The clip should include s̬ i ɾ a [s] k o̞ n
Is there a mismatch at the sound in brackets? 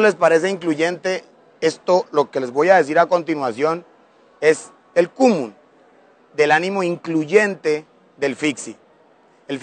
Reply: yes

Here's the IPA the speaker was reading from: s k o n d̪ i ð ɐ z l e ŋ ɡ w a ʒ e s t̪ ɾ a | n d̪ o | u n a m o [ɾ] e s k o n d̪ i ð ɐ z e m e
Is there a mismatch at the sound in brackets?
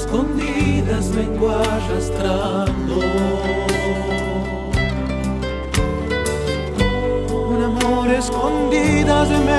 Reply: no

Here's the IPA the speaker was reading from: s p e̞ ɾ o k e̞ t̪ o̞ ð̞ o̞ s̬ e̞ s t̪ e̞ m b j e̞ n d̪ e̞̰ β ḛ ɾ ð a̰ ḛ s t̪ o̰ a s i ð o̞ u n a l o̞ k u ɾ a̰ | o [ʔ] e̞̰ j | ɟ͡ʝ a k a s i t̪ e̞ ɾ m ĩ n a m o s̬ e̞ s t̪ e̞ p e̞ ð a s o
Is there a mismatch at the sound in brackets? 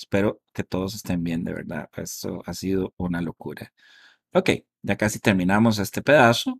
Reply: yes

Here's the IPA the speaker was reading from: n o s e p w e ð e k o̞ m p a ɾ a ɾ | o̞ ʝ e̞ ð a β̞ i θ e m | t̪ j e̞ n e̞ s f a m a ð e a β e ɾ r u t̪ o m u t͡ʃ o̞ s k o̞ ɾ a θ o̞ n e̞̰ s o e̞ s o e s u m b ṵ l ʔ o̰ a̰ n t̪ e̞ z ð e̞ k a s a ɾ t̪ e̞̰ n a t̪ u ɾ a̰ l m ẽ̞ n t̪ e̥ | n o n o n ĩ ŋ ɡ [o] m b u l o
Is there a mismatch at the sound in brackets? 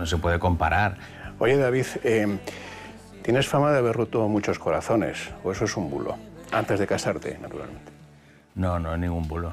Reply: yes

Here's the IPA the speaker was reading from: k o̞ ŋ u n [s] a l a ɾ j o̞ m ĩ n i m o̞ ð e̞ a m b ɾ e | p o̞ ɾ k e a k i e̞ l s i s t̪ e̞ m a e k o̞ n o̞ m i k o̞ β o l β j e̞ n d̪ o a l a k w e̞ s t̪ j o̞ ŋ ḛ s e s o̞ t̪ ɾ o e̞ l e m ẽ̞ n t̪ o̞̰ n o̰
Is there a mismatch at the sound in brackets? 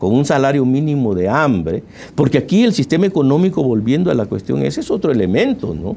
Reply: no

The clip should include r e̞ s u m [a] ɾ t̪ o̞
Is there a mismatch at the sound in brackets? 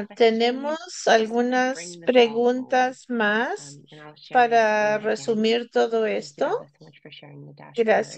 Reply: yes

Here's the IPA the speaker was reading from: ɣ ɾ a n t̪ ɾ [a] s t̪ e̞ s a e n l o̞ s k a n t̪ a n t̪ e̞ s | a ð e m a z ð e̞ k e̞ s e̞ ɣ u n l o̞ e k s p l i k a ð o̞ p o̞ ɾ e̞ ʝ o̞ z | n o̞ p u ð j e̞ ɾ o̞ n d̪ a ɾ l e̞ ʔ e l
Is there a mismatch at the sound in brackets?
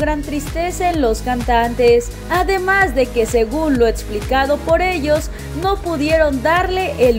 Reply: yes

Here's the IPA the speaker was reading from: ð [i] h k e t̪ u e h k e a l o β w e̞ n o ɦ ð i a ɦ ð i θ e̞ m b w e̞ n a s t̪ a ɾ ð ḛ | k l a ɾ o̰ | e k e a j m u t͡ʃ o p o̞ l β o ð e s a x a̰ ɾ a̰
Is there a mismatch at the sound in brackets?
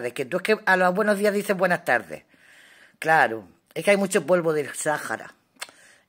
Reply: yes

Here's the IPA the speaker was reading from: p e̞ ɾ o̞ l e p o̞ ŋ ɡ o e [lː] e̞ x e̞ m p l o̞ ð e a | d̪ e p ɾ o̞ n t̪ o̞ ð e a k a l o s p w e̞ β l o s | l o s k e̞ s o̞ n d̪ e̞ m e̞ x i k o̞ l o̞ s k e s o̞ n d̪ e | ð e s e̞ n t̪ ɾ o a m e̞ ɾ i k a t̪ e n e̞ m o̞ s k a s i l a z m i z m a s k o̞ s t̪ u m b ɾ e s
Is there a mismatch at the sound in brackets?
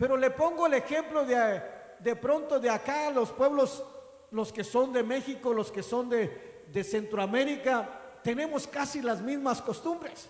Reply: yes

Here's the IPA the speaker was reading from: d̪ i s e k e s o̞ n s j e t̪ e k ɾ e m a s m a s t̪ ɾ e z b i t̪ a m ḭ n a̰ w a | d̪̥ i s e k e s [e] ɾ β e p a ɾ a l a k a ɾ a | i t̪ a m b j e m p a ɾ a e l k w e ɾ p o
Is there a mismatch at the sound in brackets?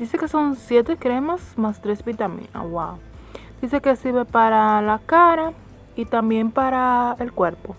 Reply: yes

